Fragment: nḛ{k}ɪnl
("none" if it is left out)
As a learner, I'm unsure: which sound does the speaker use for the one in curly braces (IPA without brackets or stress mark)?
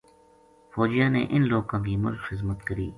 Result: ʔ